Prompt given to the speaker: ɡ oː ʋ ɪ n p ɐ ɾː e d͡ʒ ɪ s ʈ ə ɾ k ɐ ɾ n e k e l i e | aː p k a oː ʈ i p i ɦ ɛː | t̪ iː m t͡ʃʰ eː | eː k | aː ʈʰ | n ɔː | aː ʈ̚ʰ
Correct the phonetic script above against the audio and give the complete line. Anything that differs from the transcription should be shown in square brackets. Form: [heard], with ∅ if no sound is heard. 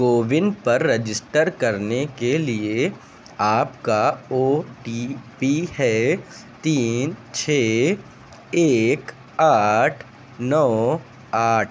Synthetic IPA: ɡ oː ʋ ɪ n p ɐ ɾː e d͡ʒ ɪ s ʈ ə ɾ k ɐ ɾ n e k e l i e | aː p k a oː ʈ i p i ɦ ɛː | t̪ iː [n] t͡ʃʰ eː | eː k | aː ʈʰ | n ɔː | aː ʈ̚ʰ